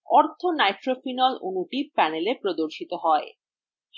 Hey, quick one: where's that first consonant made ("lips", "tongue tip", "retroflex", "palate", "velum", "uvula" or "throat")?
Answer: tongue tip